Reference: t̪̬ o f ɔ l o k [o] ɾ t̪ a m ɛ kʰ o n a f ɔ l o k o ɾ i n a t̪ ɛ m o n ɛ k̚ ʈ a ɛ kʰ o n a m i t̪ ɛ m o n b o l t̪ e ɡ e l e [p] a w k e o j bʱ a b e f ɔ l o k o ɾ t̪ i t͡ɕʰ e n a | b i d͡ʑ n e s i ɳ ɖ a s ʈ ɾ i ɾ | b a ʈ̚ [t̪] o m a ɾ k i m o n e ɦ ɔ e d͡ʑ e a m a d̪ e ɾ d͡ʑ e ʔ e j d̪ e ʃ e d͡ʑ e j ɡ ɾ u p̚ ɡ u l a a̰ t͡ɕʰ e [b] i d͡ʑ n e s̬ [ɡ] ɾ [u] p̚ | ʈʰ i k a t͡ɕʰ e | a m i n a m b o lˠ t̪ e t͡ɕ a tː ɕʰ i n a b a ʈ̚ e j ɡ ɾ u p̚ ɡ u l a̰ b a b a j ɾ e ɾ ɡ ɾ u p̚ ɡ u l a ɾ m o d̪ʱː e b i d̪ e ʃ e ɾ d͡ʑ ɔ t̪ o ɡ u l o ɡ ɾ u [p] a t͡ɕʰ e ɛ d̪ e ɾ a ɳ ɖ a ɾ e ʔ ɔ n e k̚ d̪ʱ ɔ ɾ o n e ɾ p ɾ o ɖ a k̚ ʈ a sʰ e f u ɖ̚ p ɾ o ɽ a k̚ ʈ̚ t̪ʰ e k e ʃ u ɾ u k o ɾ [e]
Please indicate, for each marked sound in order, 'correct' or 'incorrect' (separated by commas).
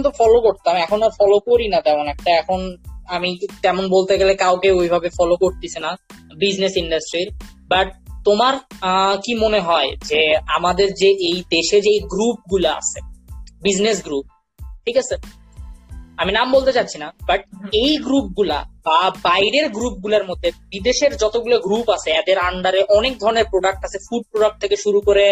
correct, incorrect, correct, correct, correct, correct, correct, correct